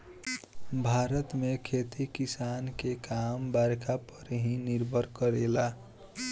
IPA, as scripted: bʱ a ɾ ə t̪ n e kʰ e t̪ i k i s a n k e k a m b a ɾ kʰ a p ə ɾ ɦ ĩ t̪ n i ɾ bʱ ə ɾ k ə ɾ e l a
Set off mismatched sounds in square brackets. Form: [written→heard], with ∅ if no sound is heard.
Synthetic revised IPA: bʱ a ɾ ə t̪ [n→m] e kʰ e t̪ i k i s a n k e k a m b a ɾ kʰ a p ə ɾ ɦ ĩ [t̪→∅] n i ɾ bʱ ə ɾ k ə ɾ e l a